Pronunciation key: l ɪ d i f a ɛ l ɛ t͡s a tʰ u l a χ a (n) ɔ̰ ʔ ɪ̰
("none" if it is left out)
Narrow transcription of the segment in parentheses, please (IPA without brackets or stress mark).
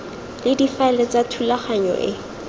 ɲ